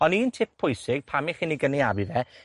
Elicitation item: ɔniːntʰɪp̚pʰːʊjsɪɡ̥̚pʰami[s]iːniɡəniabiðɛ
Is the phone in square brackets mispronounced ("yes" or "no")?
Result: yes